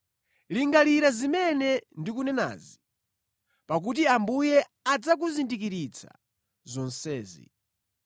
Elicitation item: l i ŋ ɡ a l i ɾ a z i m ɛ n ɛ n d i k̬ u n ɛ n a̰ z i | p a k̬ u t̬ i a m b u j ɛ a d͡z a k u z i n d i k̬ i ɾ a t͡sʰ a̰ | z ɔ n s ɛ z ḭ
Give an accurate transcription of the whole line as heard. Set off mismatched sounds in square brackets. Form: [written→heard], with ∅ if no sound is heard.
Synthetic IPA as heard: l i ŋ ɡ a l i ɾ a z i m ɛ n ɛ n d i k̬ u n ɛ n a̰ z i | p a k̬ u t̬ i a m b u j ɛ a d͡z a k u z i n d i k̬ i ɾ [a→i] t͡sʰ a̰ | z ɔ n s [ɛ→ɛː] z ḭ